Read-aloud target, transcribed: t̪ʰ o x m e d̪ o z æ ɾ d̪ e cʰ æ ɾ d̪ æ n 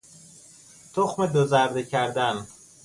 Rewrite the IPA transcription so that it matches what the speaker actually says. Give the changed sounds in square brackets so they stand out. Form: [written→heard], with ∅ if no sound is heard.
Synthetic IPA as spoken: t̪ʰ o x m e d̪ o z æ ɾ d̪ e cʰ æ ɾ d̪ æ n